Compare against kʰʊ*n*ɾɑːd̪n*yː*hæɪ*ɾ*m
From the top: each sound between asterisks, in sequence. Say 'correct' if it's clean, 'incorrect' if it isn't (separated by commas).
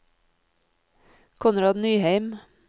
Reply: correct, correct, incorrect